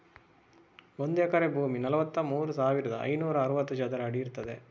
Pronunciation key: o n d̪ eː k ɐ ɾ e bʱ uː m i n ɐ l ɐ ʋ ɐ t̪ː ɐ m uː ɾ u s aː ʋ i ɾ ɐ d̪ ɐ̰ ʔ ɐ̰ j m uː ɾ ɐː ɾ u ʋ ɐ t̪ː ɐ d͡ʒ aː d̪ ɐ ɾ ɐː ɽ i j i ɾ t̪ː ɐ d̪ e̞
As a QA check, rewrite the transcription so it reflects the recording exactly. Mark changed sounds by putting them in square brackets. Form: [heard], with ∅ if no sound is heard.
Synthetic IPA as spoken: o n d̪ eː k ɐ ɾ e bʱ uː m i n ɐ l ɐ ʋ ɐ t̪ː ɐ m uː ɾ u s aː ʋ i ɾ ɐ d̪ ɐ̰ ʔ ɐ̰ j [n] uː ɾ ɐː ɾ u ʋ ɐ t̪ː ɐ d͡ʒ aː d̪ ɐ ɾ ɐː ɽ i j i ɾ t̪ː ɐ d̪ e̞